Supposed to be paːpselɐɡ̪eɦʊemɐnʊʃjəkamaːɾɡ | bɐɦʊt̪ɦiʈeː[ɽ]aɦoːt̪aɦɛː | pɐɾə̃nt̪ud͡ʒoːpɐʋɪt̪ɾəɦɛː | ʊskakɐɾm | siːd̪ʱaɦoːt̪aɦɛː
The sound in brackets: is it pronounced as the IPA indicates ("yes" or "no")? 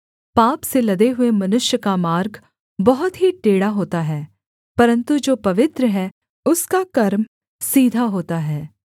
yes